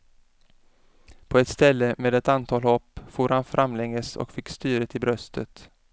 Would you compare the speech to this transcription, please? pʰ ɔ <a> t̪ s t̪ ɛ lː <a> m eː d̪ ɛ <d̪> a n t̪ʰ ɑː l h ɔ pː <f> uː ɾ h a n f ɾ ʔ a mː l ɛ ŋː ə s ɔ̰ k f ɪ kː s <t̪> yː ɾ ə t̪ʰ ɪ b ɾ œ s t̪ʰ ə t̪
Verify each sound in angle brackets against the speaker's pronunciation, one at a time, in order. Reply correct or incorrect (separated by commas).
incorrect, incorrect, incorrect, correct, correct